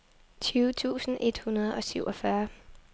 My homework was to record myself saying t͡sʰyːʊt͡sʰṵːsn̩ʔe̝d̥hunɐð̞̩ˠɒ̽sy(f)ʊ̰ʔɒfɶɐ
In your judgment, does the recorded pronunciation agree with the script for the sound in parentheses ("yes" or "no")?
no